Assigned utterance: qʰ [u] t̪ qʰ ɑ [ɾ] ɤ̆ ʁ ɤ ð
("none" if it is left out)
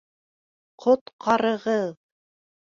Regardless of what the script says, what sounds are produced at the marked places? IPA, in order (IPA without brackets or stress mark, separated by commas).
o, ɾ